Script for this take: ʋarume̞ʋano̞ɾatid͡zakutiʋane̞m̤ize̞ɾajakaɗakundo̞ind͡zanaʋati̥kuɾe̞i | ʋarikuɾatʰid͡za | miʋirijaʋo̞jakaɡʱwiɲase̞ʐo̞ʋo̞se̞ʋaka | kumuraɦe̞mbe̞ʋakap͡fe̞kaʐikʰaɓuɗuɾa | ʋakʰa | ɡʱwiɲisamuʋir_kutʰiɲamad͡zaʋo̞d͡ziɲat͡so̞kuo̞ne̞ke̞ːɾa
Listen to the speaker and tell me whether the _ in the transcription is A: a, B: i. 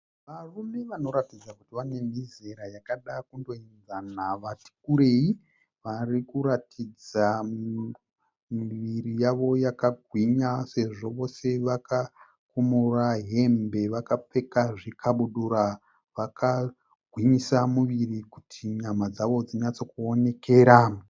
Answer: B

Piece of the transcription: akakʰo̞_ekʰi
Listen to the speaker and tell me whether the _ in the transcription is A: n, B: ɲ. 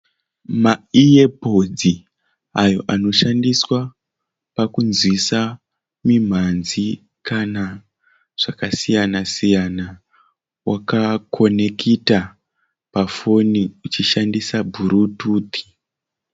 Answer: A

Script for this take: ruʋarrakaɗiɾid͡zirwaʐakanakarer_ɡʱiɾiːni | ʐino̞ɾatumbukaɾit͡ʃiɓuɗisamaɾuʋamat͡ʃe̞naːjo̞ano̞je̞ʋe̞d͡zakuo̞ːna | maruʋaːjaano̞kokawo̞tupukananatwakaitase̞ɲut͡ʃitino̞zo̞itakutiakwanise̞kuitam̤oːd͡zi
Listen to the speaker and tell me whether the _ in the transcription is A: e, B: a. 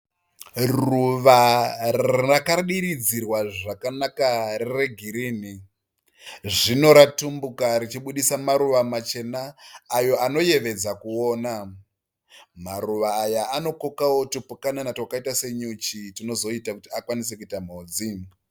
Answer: A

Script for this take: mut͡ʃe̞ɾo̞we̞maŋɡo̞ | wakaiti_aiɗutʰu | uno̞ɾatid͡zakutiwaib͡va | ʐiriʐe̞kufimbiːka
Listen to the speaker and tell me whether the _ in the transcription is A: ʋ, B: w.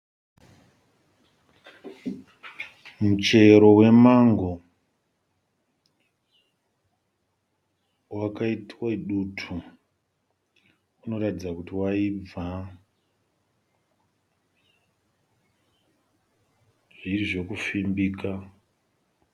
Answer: B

